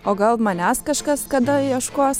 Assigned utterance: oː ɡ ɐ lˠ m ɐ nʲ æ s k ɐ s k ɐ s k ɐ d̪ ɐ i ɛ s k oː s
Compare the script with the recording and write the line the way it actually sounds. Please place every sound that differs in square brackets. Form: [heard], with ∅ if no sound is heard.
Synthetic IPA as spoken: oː ɡ ɐ lˠ m ɐ nʲ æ s k ɐ [ʃ] k ɐ s k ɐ d̪ ɐ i ɛ [ʃ] k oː s